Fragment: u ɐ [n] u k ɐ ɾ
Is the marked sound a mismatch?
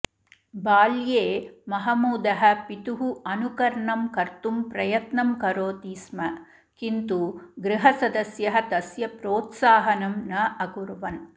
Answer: no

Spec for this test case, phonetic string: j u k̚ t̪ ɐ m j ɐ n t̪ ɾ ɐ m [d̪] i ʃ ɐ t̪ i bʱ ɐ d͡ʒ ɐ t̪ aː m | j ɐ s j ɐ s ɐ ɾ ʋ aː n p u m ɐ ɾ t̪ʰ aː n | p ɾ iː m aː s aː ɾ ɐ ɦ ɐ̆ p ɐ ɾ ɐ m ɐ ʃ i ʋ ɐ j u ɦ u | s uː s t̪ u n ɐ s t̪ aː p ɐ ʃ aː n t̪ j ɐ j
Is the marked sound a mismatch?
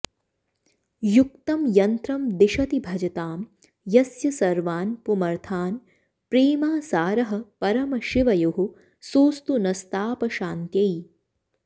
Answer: no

